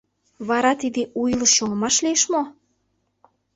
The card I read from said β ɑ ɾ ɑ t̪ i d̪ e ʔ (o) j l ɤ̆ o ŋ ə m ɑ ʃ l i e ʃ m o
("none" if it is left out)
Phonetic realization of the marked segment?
u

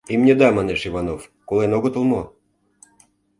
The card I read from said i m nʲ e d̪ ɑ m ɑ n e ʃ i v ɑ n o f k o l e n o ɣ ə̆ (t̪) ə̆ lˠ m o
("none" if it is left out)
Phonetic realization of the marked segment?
t̪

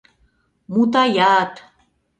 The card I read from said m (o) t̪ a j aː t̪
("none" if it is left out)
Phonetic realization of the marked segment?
u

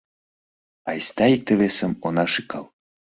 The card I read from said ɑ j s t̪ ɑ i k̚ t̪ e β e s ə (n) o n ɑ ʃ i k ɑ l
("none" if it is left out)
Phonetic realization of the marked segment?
m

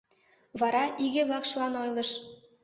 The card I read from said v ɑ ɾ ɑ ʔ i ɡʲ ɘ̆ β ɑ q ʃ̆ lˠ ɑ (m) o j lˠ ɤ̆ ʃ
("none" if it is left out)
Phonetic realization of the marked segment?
n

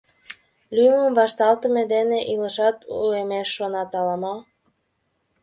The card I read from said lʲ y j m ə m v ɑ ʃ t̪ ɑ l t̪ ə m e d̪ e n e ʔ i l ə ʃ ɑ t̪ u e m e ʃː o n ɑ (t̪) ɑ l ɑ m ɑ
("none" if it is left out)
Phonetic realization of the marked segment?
t̪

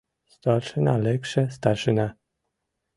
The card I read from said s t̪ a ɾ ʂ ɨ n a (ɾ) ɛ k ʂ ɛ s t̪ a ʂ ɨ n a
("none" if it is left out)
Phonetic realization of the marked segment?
l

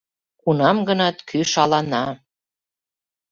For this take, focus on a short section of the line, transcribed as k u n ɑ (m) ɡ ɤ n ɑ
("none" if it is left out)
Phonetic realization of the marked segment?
m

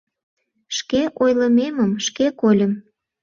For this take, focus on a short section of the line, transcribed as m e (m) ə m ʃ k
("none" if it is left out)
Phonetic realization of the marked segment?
m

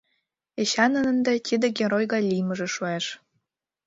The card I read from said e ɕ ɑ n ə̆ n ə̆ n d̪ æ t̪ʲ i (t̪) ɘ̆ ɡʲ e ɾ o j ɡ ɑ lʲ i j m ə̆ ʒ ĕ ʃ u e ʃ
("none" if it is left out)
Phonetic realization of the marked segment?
d̪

